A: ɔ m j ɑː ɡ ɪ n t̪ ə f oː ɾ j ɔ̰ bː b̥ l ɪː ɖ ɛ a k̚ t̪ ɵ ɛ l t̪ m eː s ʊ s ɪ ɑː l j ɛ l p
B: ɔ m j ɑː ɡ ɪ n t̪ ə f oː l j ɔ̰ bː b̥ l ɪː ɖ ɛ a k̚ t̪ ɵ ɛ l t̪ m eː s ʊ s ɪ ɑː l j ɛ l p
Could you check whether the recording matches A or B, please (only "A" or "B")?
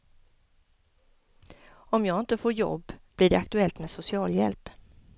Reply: A